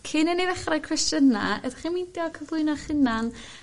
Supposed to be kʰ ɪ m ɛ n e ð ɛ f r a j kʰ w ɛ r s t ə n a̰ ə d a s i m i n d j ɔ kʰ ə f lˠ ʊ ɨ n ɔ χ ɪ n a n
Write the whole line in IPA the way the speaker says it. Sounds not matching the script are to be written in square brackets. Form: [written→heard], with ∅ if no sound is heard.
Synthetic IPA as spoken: kʰ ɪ [m→n] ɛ n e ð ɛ [f→χ] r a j kʰ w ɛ [r→∅] s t ə n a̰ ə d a [s→χ] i m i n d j ɔ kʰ ə [f→v] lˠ ʊ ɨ n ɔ χ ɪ n a n